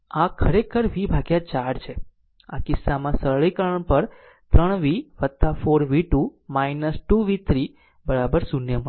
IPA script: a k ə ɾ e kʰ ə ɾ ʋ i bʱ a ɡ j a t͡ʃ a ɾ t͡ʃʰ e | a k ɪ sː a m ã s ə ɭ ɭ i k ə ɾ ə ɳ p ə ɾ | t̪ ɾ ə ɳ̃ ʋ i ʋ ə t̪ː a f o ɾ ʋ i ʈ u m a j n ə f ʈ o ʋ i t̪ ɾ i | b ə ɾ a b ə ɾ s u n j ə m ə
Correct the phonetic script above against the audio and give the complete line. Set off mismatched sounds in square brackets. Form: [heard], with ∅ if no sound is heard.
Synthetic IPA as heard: a [kʰ] ə ɾ e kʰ ə ɾ ʋ i bʱ a ɡ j a t͡ʃ a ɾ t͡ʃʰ e | a k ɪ sː a m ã s ə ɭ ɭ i k ə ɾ ə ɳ p ə ɾ | t̪ ɾ ə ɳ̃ ʋ i ʋ ə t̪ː a f o ɾ ʋ i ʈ u m a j n ə [s] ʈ [u] ʋ i t̪ ɾ i | b ə ɾ a b ə ɾ s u n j ə m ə